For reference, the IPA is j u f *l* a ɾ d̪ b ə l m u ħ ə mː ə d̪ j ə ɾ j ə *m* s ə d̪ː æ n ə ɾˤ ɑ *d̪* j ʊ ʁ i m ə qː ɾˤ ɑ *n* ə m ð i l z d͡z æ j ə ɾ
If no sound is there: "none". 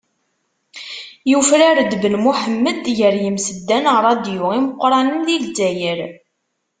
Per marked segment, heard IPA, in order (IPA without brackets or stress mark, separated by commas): ɾ, m, d̪, n